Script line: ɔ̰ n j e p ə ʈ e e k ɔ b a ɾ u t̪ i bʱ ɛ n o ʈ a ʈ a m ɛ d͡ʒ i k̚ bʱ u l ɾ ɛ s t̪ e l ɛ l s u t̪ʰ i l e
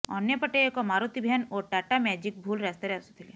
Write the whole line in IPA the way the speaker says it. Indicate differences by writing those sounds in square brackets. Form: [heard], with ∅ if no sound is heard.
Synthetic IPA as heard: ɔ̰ n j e p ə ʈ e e k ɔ [m] a ɾ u t̪ i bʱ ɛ n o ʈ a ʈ a m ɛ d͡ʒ i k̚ bʱ u l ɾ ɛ s t̪ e [ɾ] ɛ [∅] s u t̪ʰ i l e